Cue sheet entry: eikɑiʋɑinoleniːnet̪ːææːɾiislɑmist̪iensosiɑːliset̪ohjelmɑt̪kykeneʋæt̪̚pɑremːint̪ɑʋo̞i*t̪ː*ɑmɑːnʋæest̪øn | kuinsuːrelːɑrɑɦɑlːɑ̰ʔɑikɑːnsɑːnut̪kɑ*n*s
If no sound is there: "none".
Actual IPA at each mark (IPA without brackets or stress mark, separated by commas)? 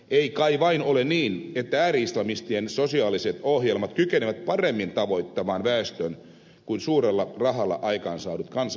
t̪ː, n